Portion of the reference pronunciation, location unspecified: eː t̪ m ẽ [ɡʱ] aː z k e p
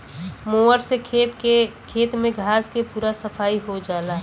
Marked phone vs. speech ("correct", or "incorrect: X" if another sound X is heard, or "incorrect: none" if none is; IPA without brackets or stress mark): correct